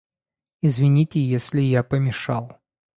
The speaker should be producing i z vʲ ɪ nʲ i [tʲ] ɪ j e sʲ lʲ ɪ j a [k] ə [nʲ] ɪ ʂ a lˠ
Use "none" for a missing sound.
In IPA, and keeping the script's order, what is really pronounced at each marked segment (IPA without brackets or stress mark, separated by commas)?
tʲ, p, mʲ